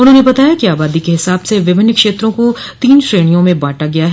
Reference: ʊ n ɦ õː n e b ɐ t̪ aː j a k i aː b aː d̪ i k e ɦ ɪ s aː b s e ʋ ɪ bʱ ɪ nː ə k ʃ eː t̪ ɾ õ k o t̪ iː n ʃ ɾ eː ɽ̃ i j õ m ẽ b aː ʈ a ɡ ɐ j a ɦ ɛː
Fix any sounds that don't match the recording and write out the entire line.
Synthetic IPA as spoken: ʊ n ɦ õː n e b ɐ t̪ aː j a k i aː b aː d̪ i k e ɦ ɪ s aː b s e ʋ ɪ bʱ ɪ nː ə k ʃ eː t̪ ɾ õ k o t̪ iː n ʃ ɾ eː ɽ̃ i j õ m ẽ b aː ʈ a ɡ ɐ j a ɦ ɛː